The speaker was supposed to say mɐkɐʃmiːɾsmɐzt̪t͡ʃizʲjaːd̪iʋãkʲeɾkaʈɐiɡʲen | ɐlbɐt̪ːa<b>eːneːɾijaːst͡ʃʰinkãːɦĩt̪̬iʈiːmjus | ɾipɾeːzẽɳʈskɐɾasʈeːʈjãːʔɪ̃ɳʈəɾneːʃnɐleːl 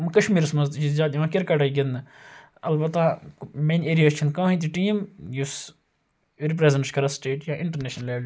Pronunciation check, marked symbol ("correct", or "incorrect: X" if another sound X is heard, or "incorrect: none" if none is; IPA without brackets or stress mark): incorrect: m